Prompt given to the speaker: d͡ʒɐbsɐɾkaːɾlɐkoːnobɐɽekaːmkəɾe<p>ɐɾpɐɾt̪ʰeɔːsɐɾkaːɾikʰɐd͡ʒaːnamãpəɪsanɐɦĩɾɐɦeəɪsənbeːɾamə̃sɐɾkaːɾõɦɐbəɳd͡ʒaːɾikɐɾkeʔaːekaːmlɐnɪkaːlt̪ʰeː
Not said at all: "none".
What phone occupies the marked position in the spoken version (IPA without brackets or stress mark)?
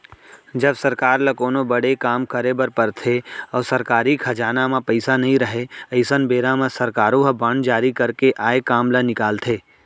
b